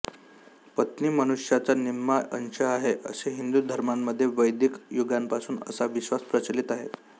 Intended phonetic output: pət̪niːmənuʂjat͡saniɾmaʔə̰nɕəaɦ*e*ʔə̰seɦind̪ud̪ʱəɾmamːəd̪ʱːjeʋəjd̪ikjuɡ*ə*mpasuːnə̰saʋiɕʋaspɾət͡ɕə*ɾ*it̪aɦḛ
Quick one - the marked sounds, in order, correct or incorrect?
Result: correct, incorrect: a, incorrect: l

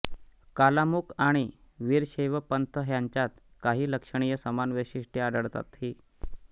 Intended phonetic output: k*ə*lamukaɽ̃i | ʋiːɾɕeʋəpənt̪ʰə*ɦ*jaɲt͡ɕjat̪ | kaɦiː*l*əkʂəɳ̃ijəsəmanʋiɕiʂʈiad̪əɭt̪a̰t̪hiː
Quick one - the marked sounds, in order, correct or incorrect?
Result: incorrect: a, correct, correct

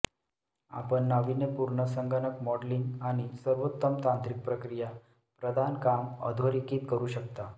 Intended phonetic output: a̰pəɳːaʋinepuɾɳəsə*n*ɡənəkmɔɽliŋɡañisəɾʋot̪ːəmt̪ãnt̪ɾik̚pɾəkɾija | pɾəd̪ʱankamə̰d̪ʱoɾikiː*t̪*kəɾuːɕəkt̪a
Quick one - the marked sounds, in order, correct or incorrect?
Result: incorrect: ŋ, correct

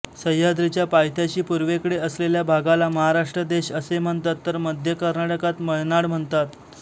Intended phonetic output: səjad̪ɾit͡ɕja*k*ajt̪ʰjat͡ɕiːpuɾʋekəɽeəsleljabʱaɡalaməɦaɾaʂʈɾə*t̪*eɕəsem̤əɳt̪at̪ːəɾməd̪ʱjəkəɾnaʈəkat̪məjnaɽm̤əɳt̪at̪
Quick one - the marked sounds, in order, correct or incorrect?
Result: incorrect: p, incorrect: d̪

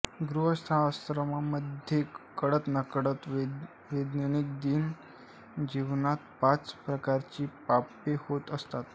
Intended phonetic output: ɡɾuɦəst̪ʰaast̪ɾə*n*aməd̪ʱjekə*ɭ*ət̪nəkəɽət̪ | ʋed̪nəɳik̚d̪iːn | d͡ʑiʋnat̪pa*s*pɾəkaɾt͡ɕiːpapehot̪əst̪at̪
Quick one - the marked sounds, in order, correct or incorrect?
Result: incorrect: m, incorrect: ɽ, incorrect: t͡s

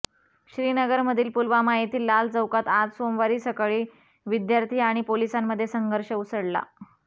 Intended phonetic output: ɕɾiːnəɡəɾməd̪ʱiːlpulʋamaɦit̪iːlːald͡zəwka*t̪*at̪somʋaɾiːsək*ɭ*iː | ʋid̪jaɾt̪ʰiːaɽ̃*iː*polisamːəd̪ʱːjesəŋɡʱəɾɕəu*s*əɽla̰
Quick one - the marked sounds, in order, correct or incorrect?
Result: correct, correct, incorrect: i, correct

